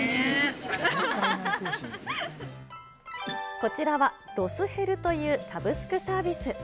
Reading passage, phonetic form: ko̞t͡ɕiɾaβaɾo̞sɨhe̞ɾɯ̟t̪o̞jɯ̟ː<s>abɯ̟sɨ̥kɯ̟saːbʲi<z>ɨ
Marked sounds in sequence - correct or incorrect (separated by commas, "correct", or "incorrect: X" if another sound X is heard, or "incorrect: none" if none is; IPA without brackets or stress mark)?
correct, incorrect: s